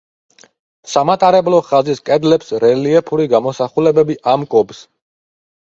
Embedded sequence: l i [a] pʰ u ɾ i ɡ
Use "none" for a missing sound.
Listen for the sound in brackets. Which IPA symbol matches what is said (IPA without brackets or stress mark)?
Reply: ɛ